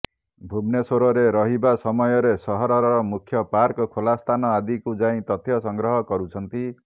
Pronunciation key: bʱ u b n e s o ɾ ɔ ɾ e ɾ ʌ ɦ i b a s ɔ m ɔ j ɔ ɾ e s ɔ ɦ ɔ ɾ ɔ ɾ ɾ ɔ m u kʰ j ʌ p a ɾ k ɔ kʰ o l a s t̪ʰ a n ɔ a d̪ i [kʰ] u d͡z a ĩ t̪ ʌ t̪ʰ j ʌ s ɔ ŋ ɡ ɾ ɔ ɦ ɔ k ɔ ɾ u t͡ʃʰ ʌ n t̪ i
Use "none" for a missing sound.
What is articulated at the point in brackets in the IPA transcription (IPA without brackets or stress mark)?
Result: k